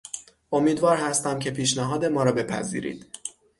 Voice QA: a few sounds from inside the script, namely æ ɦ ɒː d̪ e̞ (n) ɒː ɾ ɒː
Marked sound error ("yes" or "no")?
yes